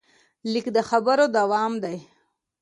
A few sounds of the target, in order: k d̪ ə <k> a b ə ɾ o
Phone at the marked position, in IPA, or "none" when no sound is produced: x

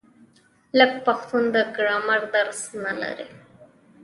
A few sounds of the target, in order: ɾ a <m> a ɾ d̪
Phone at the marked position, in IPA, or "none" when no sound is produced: m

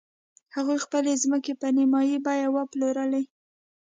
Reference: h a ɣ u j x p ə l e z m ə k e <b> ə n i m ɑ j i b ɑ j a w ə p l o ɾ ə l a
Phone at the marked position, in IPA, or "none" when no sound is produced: p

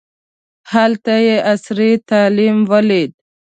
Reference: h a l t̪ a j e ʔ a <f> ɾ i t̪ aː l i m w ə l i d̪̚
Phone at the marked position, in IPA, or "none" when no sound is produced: s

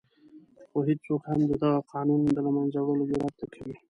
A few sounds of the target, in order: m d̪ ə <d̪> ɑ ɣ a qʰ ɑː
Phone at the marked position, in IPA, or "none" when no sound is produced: d̪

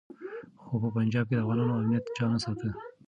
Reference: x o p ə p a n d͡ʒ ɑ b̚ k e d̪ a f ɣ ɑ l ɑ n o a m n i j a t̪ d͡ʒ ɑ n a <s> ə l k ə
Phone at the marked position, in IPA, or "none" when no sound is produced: s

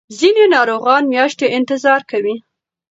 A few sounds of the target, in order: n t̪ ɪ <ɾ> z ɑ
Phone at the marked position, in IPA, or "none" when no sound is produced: none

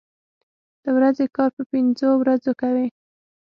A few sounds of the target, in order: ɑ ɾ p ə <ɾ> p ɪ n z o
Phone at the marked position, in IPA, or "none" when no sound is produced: none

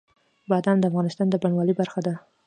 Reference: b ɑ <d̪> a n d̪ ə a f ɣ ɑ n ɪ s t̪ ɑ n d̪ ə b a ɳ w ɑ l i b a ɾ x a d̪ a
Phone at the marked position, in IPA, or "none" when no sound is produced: d̪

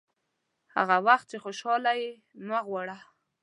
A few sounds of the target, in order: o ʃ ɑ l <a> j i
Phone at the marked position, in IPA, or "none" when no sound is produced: a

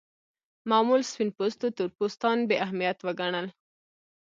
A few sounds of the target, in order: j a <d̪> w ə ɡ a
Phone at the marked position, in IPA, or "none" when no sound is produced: t̪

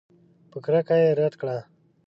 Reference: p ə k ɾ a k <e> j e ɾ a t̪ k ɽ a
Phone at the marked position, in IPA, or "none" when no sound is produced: a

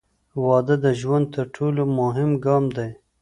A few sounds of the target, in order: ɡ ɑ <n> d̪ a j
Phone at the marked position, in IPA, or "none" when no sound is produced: m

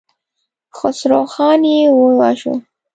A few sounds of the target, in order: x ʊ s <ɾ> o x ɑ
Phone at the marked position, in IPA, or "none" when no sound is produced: ɾ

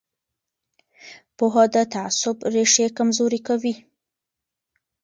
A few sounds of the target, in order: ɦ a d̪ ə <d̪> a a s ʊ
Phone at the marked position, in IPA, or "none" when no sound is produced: t̪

